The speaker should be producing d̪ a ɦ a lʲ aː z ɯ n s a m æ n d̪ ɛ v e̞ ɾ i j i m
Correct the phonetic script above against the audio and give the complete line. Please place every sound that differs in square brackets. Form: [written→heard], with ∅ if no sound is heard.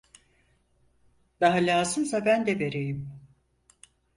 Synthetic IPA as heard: d̪ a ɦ a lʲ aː z ɯ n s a [m→b] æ n d̪ ɛ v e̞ ɾ [i→e] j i m